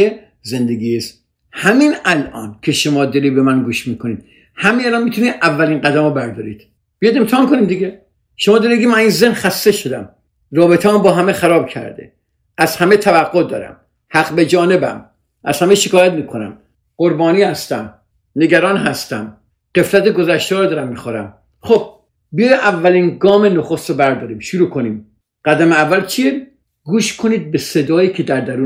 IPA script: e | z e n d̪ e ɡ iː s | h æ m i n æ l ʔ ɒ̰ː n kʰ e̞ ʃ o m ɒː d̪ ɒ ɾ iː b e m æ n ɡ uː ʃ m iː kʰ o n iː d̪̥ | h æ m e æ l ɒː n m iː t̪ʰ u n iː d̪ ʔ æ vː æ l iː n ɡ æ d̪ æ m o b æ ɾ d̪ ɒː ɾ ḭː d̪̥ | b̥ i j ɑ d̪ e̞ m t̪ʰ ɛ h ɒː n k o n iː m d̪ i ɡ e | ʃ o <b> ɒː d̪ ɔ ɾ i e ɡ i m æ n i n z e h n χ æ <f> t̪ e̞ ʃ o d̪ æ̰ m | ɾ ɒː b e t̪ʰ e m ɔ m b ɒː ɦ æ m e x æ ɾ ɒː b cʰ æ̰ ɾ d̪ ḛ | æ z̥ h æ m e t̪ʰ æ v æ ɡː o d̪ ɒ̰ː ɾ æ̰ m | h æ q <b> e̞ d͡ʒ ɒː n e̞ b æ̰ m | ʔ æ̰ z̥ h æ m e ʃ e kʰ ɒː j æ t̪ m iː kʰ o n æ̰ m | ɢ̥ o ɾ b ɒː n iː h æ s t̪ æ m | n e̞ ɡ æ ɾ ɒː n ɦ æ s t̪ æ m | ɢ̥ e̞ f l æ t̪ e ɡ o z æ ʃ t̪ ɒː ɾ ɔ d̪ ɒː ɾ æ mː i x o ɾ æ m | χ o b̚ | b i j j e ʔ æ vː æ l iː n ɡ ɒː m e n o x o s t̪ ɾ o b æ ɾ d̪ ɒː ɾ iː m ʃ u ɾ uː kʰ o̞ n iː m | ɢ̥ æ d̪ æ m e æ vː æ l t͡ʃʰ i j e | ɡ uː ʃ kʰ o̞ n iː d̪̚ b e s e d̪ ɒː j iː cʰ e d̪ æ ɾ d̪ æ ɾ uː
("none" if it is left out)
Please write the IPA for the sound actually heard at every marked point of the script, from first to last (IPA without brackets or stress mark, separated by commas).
m, s, b